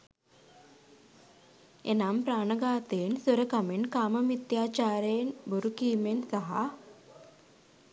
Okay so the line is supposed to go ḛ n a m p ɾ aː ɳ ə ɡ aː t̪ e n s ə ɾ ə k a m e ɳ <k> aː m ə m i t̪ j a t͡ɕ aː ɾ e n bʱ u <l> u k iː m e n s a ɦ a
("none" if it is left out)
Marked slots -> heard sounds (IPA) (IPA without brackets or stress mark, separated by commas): k, ɾ